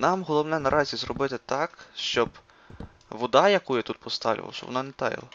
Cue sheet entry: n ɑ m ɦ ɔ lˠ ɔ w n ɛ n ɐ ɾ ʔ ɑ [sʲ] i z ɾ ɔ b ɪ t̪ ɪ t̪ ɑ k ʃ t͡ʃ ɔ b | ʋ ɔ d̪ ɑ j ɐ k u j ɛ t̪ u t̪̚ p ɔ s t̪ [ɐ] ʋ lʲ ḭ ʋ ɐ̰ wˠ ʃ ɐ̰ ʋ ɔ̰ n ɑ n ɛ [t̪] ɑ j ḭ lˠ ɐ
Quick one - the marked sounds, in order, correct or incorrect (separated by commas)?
incorrect, incorrect, correct